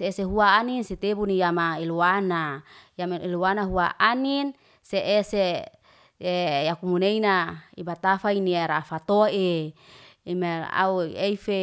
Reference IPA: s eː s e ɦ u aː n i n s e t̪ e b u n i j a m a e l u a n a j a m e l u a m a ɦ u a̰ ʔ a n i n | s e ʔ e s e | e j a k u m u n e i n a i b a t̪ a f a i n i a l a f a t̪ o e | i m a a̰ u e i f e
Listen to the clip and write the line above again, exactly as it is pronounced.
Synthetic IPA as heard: s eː s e ɦ u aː n i n s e t̪ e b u n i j a m a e l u a n a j a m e l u a n a ɦ u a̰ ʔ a n i n | s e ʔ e s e | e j a k u m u n e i n a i b a t̪ a f a i n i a ɾ a f a t̪ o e | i m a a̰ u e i f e